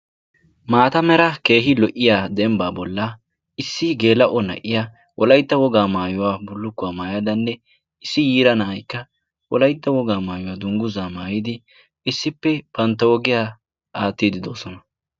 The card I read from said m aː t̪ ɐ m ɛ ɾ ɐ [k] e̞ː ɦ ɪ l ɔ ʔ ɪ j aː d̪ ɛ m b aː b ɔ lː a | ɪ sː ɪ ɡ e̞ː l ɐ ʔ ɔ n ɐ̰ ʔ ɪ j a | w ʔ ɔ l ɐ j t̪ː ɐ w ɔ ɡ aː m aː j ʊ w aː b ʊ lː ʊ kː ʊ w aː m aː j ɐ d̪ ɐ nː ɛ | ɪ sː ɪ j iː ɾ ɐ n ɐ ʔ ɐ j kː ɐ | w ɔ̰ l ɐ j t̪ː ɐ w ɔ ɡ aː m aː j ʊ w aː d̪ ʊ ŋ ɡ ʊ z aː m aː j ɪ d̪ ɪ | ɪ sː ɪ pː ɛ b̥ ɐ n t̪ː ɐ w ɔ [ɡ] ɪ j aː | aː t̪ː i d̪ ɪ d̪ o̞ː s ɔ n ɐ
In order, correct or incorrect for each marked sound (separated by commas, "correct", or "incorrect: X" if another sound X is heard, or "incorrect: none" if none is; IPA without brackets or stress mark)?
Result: correct, correct